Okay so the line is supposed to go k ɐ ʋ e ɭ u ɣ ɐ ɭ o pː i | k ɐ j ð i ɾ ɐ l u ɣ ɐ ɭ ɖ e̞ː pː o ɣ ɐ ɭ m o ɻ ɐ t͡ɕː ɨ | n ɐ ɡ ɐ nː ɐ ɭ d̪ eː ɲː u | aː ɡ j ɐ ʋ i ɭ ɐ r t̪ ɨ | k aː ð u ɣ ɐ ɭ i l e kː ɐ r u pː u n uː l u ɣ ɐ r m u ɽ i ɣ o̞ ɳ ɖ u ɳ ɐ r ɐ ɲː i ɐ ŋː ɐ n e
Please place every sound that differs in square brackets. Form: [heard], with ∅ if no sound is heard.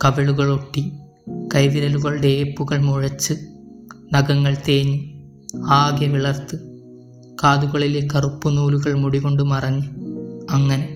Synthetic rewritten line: k ɐ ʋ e ɭ u ɣ ɐ ɭ o [ʈː] i | k ɐ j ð i ɾ ɐ l u ɣ ɐ ɭ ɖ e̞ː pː [u] ɣ ɐ ɭ m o ɻ ɐ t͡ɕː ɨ | n ɐ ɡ ɐ [ŋː] ɐ ɭ [t̪] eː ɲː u | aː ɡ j ɐ ʋ i ɭ ɐ r t̪ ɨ | k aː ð u ɣ ɐ ɭ i l e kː ɐ r u pː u n uː l u ɣ ɐ [ɭ] m u ɽ i ɣ o̞ ɳ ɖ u [m] ɐ r ɐ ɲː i ɐ ŋː ɐ n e